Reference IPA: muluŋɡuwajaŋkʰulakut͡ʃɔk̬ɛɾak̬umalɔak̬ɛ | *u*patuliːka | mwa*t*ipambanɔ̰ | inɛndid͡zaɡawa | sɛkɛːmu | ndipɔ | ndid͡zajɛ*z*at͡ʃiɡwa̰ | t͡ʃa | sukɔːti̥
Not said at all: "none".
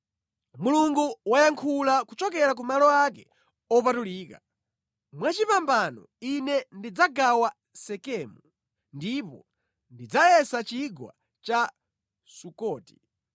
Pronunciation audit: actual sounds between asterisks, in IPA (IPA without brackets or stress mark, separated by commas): ɔ, t͡ʃ, s